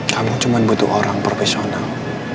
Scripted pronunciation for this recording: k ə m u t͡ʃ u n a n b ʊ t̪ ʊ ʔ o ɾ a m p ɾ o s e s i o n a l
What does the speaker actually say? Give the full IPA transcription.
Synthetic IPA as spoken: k a m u t͡ʃ u m a n b u t̪ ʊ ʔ o ɾ a ŋ p ɾ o f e s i o n a l